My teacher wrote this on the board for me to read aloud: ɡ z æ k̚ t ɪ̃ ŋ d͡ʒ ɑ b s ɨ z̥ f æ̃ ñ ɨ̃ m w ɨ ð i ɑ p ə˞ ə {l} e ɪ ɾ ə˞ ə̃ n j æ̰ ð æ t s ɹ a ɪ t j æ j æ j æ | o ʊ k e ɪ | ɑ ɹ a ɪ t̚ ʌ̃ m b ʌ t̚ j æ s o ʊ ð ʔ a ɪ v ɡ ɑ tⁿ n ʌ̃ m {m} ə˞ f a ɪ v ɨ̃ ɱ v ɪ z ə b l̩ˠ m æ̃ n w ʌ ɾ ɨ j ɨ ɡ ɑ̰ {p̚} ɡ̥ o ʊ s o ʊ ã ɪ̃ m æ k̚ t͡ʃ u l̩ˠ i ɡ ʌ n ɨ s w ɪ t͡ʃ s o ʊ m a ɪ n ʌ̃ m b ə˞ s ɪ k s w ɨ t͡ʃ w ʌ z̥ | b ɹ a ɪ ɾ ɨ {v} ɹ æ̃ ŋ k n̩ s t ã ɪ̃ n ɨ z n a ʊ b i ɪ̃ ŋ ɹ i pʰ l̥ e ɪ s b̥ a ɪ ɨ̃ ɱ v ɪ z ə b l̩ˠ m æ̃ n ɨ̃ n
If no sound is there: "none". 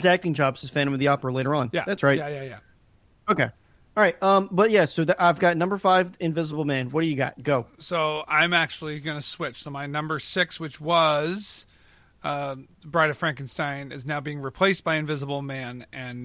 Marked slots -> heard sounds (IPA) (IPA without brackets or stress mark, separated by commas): l, b, t̚, f